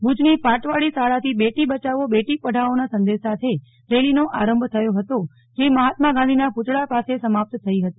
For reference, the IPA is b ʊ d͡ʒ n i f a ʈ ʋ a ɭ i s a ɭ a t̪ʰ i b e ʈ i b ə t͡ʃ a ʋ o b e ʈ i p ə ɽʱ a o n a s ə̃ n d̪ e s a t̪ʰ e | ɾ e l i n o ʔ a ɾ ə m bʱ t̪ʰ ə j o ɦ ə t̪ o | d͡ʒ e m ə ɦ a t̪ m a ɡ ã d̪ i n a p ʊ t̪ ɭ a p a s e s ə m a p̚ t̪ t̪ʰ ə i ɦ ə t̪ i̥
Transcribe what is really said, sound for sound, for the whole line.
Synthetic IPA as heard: b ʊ d͡ʒ n i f a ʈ ʋ a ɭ i s a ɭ a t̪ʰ i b e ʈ i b ə t͡ʃ a ʋ o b e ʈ i p ə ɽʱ a o n a s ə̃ n d̪ e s a t̪ʰ e | ɾ e l i n o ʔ a ɾ ə m bʱ t̪ʰ ə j o ɦ ə t̪ o | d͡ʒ e m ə ɦ a t̪ m a ɡ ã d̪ i n a p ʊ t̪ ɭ a p a s e s ə m a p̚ t̪ t̪ʰ ə i ɦ ə t̪ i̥